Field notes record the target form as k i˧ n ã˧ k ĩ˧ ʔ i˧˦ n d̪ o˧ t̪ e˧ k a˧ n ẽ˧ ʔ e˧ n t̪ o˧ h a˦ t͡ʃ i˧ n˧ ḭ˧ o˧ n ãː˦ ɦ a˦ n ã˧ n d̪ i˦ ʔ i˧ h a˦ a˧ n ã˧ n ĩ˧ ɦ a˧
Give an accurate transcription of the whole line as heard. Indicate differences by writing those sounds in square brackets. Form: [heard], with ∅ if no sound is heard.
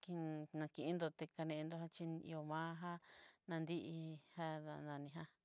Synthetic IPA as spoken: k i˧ n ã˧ k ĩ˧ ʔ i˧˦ n d̪ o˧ t̪ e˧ k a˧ n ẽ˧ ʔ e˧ n [d̪] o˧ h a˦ t͡ʃ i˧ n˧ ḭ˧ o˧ [m] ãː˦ ɦ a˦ n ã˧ n d̪ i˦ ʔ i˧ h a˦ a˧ n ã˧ n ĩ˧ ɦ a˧